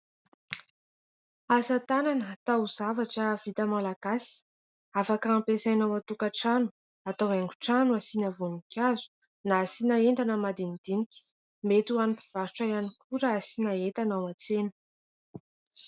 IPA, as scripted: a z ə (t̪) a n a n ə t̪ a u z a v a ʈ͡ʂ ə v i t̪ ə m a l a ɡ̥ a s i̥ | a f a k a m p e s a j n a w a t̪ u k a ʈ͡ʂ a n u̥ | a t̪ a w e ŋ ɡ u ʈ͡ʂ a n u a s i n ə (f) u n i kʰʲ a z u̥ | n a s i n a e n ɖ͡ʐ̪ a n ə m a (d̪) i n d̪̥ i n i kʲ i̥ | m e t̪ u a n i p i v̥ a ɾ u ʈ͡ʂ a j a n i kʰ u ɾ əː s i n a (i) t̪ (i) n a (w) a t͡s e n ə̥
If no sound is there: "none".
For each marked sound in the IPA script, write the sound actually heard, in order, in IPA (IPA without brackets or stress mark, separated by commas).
t̪, v, d̪, e, a, w